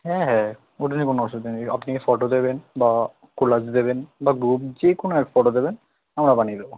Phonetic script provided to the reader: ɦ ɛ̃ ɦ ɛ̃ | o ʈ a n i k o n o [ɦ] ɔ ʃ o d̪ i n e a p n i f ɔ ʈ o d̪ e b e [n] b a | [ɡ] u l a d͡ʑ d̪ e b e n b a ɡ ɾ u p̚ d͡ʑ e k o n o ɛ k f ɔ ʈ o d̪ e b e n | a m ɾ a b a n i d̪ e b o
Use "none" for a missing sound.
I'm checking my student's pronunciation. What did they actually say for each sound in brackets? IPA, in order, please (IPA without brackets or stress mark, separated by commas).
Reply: none, n, k